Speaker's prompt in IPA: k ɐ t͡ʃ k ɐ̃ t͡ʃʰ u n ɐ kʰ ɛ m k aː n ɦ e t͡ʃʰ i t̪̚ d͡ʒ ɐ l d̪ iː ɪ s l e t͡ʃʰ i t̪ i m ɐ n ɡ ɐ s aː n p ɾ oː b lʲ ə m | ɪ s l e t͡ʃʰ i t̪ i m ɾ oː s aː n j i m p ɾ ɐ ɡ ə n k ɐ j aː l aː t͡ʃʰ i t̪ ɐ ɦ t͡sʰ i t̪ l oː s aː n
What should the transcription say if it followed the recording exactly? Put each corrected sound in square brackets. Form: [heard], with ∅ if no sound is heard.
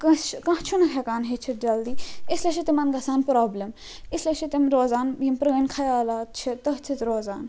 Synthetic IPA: k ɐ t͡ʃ k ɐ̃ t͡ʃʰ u n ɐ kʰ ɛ [∅] k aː n ɦ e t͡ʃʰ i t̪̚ d͡ʒ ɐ l d̪ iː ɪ s l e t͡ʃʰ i t̪ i m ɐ n ɡ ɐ s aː n p ɾ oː b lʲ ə m | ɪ s l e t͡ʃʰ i t̪ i m ɾ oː [z] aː n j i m p ɾ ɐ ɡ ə n [kʰ] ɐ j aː l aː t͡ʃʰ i t̪ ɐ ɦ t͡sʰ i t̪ [ɾ] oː [z] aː n